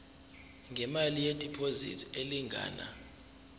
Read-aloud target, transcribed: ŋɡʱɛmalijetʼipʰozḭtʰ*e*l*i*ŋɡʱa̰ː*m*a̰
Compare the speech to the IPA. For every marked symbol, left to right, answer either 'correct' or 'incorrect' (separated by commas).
correct, correct, incorrect